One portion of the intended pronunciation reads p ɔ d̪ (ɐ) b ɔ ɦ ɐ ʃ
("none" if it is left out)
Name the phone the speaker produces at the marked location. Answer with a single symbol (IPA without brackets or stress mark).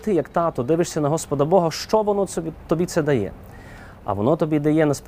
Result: ɐ